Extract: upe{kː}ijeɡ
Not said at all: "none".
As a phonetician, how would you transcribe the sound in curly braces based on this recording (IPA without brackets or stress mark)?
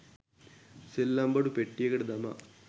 ʈː